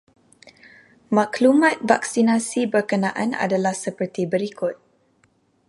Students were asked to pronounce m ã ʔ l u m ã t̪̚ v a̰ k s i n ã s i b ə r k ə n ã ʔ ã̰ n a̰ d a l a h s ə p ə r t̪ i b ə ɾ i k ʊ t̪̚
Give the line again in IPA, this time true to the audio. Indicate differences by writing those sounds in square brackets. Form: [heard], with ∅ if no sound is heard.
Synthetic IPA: m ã [k] l u m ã t̪̚ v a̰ k s i n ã s i b ə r k ə n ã ʔ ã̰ n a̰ d a l a h s ə p ə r t̪ i b ə ɾ i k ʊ t̪̚